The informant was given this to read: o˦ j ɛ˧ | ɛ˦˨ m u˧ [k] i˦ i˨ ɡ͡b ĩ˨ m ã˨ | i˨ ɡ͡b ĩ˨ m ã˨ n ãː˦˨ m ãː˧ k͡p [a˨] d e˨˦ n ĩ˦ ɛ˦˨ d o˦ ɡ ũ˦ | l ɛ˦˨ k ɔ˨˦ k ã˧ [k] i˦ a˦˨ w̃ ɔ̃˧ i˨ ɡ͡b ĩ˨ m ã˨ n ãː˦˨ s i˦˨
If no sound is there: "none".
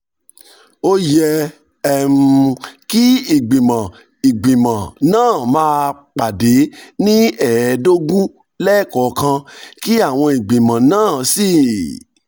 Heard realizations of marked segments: k, a˨, k

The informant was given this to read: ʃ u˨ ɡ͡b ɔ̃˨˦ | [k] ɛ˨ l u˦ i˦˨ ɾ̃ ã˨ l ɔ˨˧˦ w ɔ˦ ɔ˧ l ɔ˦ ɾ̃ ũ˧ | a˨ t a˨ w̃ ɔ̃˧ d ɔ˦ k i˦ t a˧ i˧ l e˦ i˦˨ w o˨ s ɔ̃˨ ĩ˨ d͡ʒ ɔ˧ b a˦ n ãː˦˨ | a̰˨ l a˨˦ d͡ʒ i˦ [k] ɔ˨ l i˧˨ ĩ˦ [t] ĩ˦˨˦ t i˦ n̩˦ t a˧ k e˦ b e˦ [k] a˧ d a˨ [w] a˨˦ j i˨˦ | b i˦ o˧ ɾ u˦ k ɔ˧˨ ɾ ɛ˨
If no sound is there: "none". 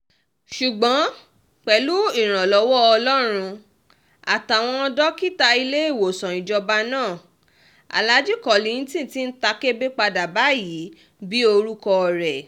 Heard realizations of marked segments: k͡p, k, t, k͡p, b

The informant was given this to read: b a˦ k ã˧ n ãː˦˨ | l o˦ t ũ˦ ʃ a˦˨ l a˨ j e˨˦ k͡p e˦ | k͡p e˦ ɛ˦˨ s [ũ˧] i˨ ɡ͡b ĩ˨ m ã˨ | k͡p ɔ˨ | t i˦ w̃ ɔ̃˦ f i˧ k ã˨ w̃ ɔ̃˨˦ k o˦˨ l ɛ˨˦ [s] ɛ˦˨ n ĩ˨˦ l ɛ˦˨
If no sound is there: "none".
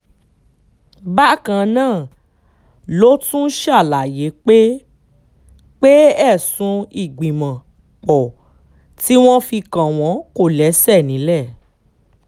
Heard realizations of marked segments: ũ˧, s

